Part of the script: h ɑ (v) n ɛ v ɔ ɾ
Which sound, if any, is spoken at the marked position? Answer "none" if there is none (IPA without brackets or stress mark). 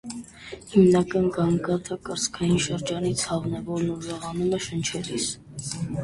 v